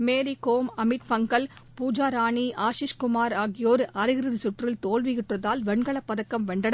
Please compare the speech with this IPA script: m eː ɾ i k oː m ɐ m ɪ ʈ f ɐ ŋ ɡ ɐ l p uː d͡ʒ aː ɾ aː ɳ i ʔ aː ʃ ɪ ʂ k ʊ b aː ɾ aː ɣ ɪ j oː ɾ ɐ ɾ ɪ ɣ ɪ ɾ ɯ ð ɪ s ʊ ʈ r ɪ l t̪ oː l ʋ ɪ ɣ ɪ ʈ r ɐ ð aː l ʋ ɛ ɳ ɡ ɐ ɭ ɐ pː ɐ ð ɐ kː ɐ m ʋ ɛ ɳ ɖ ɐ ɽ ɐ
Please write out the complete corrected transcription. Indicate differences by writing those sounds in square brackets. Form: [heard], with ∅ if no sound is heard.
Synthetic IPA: m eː ɾ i k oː m ɐ m ɪ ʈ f ɐ ŋ ɡ ɐ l p uː d͡ʒ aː ɾ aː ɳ i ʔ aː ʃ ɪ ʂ k ʊ [m] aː ɾ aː ɣ ɪ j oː ɾ ɐ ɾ ɪ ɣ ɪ ɾ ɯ ð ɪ s ʊ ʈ r ɪ l t̪ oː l ʋ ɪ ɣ ɪ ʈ r ɐ ð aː l ʋ ɛ ɳ ɡ ɐ ɭ ɐ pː ɐ ð ɐ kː ɐ m ʋ ɛ ɳ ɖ ɐ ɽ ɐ